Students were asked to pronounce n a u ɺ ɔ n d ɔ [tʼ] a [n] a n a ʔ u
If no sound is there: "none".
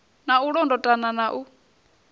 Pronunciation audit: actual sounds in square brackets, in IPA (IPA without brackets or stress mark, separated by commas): tʼ, n